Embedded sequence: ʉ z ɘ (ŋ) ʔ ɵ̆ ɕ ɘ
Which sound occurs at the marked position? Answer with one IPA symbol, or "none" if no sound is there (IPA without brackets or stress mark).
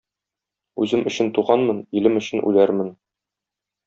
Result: m